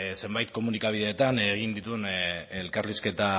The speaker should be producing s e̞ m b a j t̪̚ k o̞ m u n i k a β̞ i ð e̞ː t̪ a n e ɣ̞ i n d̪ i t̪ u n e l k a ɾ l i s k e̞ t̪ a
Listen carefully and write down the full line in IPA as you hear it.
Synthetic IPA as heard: s e̞ m b a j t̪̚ k o̞ m u n i k a β̞ i ð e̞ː t̪ a n e ɣ̞ i n d̪ i t̪ u n e l k a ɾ l i s k e̞ t̪ a